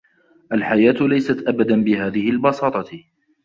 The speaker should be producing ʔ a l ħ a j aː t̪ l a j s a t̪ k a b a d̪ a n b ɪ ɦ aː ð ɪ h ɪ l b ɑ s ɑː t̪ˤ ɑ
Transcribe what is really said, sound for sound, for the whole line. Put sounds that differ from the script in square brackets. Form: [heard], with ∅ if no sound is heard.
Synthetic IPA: ʔ a l ħ a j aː t̪ l a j s a t̪ [ʔ] a b a d̪ a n b ɪ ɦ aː ð ɪ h ɪ l b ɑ s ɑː t̪ˤ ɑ